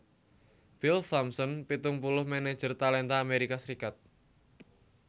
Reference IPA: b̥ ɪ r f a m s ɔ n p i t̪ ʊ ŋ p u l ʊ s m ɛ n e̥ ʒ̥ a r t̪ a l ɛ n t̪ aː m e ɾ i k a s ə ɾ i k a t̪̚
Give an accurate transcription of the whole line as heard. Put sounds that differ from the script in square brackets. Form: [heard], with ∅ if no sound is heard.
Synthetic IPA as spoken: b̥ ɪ [l] f a m s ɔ n p i t̪ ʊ ŋ p u l ʊ [h] m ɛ n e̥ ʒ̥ [ə] r t̪ a l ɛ n t̪ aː m e ɾ i k a s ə ɾ i k a t̪̚